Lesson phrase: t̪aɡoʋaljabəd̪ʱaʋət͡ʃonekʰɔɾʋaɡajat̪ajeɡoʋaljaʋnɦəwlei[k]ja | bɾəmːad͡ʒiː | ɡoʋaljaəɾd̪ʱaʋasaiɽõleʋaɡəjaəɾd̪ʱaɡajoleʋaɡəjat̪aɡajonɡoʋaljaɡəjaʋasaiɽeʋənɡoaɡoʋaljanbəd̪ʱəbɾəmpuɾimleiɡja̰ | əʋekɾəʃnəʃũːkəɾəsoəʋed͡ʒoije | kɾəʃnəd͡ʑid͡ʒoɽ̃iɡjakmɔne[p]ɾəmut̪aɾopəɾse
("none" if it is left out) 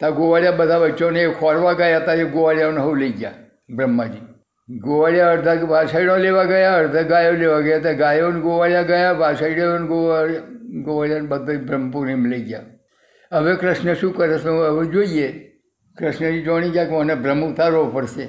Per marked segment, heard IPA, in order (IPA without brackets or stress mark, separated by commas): ɡ, b